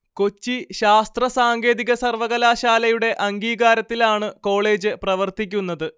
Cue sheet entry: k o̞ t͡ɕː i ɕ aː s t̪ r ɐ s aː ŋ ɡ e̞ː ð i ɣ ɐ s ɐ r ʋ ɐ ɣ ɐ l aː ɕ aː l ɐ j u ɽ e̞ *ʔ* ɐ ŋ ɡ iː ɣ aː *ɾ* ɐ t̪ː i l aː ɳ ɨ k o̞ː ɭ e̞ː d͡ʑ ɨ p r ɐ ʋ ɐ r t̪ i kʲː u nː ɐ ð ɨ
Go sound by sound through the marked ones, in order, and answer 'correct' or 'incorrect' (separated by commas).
correct, correct